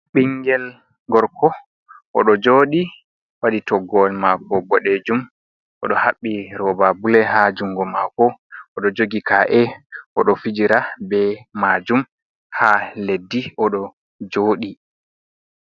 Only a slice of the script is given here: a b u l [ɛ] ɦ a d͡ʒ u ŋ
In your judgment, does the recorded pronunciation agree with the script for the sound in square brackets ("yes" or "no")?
yes